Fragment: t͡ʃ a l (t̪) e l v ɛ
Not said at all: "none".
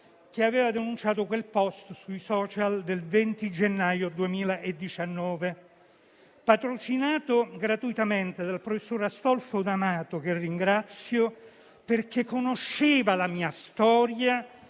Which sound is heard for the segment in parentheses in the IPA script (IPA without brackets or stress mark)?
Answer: d̪